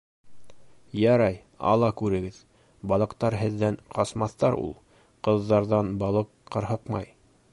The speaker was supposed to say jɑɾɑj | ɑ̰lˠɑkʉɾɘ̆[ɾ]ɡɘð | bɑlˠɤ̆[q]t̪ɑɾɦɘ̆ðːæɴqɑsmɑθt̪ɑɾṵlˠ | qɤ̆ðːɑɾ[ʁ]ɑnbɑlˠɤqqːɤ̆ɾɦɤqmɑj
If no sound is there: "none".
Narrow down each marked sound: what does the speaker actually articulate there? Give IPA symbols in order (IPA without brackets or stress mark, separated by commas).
none, q, ð